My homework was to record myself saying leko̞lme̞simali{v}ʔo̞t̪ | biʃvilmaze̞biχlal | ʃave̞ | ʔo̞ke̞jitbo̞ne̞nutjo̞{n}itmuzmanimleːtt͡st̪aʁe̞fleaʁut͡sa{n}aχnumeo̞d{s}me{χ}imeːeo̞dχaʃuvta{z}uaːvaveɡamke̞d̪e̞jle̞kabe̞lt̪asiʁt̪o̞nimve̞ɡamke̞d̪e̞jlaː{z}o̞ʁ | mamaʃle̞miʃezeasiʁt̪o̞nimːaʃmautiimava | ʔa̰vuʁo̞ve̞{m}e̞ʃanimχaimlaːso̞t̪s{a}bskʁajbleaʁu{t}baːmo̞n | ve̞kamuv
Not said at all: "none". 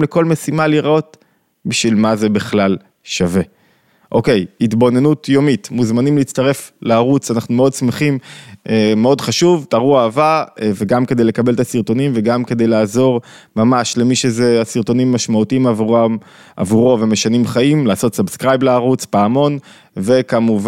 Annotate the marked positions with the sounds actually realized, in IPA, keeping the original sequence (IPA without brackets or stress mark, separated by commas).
ʁ, m, n, s, χ, ʁ, z, m, a, t͡s